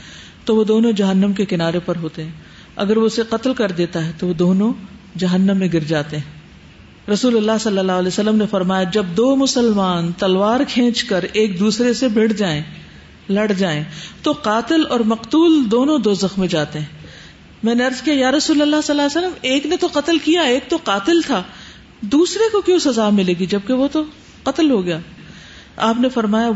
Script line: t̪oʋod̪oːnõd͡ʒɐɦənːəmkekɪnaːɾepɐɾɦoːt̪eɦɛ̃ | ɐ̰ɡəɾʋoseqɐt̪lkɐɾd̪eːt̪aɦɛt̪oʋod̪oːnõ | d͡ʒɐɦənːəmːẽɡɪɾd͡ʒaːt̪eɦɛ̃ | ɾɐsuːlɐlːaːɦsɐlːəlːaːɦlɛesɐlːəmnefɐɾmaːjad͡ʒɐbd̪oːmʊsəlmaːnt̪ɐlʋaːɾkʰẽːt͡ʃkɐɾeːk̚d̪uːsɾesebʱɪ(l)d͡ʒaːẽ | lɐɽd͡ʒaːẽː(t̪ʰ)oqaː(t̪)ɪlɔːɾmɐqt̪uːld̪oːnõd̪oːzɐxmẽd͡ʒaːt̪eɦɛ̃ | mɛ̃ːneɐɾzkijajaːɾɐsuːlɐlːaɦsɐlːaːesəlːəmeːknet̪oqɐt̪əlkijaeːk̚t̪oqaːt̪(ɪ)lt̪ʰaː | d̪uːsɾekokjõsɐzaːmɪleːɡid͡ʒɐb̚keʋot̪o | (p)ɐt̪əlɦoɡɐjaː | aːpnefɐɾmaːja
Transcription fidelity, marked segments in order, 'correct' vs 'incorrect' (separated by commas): incorrect, incorrect, correct, correct, incorrect